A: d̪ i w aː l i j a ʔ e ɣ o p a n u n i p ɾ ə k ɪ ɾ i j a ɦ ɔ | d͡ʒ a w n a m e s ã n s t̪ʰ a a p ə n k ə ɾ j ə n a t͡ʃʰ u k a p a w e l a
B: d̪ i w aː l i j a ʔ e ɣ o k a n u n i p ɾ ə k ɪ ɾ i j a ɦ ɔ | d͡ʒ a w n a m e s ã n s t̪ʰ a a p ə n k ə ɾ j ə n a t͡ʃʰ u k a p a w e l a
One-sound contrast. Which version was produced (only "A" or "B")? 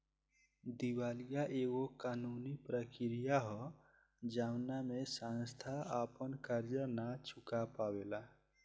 B